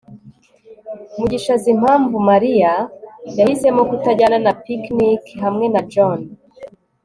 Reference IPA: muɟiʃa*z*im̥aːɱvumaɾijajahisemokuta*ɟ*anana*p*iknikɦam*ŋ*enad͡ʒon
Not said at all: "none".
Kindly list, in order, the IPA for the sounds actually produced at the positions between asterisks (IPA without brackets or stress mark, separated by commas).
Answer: z, ɟ, p, ŋ